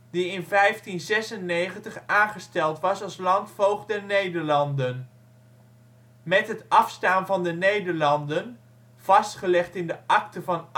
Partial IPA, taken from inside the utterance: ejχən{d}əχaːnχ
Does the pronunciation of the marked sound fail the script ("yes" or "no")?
yes